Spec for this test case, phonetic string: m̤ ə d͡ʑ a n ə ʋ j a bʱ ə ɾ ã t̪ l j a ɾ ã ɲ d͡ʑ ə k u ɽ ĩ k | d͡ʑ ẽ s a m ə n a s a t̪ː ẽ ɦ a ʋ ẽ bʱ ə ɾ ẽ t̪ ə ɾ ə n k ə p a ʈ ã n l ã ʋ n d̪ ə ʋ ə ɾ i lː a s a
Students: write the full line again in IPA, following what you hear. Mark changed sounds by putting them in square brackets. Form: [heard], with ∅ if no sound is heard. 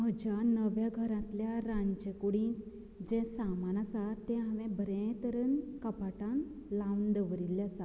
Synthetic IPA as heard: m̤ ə d͡ʑ a n ə ʋ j a [ɡʱ] ə ɾ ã t̪ l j a ɾ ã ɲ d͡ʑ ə k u ɽ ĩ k | d͡ʑ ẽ s a m [a] n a s a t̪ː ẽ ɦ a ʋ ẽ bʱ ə ɾ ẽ t̪ ə ɾ ə n k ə p a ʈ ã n l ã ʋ n d̪ ə ʋ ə ɾ i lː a s a

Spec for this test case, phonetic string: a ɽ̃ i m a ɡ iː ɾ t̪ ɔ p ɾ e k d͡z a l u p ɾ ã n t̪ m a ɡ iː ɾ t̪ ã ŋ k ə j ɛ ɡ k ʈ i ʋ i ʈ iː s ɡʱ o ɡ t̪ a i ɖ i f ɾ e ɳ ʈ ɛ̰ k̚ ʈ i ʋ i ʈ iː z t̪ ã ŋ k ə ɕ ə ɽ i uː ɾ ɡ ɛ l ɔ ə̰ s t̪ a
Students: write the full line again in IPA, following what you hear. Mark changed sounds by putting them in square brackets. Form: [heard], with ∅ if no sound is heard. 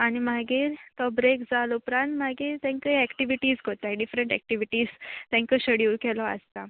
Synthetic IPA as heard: a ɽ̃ i m a ɡ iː ɾ t̪ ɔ [b] ɾ e k d͡z a l u p ɾ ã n t̪ m a ɡ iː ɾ t̪ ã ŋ k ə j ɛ [∅] k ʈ i ʋ i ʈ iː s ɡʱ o [∅] t̪ a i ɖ i f ɾ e ɳ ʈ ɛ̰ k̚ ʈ i ʋ i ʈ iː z t̪ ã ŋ k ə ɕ ə ɽ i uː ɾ [k] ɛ l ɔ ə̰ s t̪ a

